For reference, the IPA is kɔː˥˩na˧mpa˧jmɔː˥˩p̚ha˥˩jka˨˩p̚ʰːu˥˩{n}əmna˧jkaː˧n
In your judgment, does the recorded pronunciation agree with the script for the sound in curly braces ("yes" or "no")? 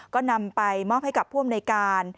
no